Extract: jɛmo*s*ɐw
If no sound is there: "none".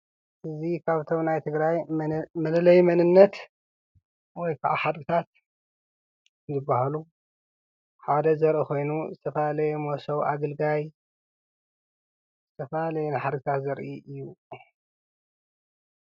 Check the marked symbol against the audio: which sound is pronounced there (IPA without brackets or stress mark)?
s